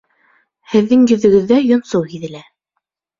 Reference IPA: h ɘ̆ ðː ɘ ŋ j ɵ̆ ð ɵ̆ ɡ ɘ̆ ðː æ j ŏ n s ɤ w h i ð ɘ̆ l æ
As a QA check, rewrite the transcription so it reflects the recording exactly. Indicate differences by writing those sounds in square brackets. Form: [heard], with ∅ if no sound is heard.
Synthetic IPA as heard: h ɘ̆ ðː ɘ ŋ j ɵ̆ ð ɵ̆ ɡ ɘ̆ ðː æ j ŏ n s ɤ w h i ð ɘ̆ l æ